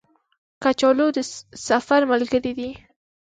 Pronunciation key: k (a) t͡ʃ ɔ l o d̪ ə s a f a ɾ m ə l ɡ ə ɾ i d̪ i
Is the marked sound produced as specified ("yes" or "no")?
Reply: yes